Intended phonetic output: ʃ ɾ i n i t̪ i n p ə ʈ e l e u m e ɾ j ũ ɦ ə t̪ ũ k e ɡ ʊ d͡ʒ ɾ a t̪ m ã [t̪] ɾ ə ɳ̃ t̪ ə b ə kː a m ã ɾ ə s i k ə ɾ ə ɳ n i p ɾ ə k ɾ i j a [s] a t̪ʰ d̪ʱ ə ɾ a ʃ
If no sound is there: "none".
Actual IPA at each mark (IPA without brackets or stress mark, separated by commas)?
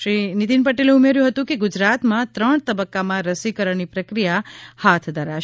t̪, h